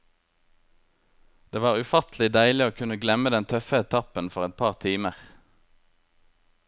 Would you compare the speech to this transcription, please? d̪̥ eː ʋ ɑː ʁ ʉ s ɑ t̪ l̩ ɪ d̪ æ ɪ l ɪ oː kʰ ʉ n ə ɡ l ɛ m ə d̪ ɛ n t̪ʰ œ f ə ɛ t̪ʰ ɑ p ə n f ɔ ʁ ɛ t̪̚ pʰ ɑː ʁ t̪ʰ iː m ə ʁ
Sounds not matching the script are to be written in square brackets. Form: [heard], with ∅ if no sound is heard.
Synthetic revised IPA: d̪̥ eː ʋ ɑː ʁ ʉ [f] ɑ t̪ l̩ ɪ d̪ æ ɪ l ɪ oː kʰ ʉ n ə ɡ l ɛ m ə d̪ ɛ n t̪ʰ œ f ə ɛ t̪ʰ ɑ p ə n f ɔ ʁ ɛ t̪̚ pʰ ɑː ʁ t̪ʰ iː m ə ʁ